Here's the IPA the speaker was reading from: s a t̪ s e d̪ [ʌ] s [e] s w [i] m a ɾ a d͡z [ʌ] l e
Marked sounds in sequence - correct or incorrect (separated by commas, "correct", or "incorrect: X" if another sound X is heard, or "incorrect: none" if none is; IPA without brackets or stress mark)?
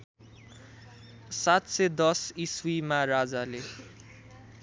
correct, incorrect: i, correct, incorrect: a